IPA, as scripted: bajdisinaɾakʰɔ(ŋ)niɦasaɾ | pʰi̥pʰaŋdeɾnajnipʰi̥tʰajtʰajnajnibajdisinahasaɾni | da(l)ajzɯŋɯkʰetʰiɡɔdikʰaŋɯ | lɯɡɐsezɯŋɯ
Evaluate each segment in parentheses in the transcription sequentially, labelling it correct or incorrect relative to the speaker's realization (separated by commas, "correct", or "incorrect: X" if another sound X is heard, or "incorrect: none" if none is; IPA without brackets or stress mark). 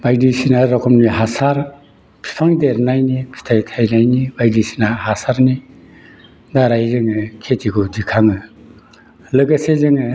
incorrect: m, incorrect: ɾ